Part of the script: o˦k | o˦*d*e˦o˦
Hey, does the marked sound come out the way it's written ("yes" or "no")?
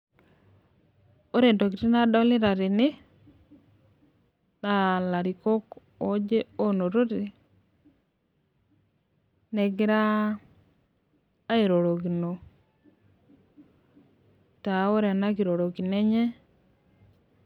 no